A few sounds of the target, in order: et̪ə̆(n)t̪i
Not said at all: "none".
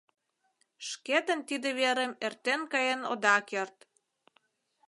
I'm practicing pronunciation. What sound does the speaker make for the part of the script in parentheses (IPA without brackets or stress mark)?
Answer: n